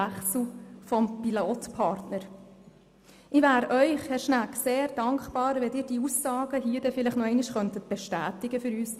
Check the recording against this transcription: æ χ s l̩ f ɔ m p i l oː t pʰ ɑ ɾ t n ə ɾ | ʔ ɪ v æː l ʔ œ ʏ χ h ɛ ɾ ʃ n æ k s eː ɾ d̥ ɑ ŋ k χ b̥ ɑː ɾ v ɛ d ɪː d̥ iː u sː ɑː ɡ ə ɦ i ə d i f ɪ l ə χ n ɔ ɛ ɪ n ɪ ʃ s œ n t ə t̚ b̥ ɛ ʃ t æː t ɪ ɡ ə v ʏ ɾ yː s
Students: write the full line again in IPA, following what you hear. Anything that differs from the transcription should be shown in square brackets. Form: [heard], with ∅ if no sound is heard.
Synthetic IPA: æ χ s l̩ f ɔ m p i l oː t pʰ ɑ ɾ t n ə ɾ | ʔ ɪ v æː [ɾ] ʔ œ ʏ χ h ɛ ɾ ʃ n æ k s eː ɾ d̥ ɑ ŋ k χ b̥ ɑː ɾ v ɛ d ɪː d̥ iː u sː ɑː ɡ ə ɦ i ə d [ɛ] f ɪ l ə χ n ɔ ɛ ɪ n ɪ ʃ [χ] œ n t ə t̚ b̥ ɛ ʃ t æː t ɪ ɡ ə [f] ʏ ɾ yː s